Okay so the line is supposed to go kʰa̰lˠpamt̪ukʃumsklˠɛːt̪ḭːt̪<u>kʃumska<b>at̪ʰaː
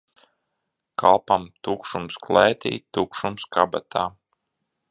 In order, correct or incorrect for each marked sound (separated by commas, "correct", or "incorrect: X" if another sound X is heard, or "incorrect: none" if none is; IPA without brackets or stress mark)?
correct, correct